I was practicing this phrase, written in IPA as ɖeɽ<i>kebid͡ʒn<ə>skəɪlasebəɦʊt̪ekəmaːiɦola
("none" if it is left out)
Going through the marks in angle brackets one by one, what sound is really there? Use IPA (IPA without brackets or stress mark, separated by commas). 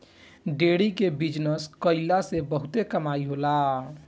i, ə